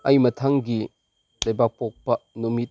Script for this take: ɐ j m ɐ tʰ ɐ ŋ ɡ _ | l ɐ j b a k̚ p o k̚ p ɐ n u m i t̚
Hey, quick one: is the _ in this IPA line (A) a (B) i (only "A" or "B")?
B